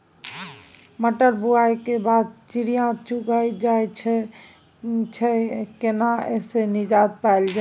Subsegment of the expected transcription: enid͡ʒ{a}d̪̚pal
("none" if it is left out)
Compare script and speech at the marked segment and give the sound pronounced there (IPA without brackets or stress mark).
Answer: a